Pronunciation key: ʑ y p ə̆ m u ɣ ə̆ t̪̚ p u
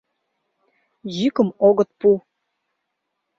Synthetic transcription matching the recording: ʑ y k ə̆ m o ɣ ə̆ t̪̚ p u